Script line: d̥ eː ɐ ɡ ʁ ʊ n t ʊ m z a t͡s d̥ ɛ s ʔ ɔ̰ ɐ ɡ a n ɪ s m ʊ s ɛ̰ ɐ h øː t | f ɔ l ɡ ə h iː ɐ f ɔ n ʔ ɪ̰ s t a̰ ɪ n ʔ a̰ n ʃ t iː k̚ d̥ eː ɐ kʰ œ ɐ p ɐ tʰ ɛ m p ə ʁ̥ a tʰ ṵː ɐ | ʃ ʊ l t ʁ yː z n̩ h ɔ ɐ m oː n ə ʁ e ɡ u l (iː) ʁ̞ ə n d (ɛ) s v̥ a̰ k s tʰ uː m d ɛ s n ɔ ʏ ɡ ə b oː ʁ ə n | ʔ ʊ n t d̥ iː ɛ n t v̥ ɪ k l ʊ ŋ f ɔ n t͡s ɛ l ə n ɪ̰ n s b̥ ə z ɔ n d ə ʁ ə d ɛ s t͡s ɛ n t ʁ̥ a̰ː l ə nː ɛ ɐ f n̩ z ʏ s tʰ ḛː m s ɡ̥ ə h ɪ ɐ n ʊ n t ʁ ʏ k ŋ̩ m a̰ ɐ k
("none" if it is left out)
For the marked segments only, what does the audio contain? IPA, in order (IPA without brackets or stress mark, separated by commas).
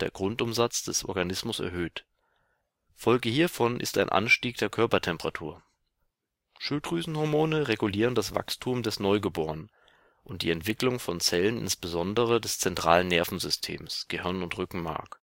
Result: iː, a